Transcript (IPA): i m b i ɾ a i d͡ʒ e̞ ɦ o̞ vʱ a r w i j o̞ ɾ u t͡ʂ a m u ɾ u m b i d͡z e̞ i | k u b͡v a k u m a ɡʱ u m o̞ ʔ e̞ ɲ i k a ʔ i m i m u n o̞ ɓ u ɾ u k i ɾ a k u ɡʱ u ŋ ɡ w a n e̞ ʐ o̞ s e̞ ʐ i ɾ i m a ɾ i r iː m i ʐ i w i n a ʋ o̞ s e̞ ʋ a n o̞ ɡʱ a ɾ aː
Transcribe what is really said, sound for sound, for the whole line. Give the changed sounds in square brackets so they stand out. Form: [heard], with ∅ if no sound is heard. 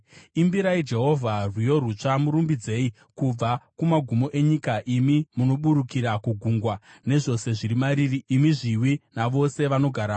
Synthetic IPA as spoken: i m b i ɾ a i d͡ʒ e̞ ɦ o̞ vʱ a r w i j o̞ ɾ u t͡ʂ a m u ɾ u m b i d͡z e̞ i | k u b͡v a k u m a ɡʱ u m o̞ ʔ e̞ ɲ i k a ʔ i m i m u n o̞ ɓ u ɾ u k i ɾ a k u ɡʱ u ŋ ɡ w a n e̞ ʐ o̞ s e̞ ʐ i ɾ i m a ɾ i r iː m i ʐ i w i n a ʋ o̞ s e̞ ʋ a n o̞ ɡʱ a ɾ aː